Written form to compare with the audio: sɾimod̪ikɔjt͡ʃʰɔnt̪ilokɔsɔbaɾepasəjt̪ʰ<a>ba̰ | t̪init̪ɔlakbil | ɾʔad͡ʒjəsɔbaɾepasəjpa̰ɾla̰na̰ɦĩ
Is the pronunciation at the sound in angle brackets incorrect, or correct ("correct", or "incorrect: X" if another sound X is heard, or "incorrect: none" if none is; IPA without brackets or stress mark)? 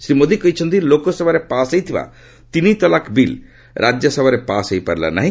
incorrect: i